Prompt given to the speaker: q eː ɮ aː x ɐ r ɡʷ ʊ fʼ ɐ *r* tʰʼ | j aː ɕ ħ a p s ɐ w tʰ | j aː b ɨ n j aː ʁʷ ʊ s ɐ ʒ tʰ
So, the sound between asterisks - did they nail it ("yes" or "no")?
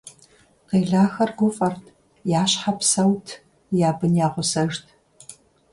yes